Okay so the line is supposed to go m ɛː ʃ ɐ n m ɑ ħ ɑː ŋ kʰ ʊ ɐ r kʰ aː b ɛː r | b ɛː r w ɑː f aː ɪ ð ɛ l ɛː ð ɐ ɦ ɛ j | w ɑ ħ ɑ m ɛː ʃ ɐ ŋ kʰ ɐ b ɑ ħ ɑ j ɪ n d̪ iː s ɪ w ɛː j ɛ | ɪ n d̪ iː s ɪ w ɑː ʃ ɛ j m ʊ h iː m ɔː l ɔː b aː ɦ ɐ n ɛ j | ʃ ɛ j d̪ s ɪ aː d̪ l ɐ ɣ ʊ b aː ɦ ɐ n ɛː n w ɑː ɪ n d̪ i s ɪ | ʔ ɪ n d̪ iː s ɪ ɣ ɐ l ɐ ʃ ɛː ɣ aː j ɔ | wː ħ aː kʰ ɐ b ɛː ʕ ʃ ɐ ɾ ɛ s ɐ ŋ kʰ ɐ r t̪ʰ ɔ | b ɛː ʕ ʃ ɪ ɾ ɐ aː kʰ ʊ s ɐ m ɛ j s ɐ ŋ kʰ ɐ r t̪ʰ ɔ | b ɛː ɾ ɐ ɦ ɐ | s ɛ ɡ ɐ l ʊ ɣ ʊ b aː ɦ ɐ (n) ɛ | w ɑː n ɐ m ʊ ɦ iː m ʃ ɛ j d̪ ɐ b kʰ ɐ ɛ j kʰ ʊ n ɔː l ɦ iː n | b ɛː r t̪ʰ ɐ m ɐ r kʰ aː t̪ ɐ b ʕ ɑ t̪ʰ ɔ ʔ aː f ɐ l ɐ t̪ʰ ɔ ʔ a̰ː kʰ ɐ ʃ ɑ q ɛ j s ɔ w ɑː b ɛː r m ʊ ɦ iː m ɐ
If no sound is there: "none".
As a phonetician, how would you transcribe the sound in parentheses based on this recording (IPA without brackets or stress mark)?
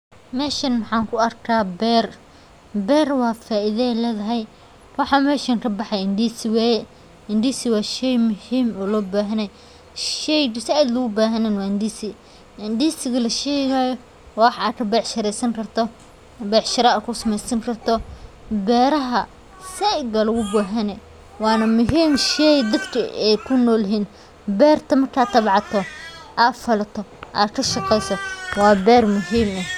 n